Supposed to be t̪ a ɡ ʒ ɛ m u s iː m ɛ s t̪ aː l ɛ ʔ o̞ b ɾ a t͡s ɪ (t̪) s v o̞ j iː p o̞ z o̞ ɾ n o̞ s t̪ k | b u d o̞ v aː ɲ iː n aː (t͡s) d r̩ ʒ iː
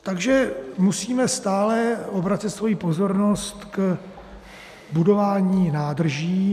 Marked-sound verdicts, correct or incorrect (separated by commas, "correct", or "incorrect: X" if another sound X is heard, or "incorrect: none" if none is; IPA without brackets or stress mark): correct, incorrect: none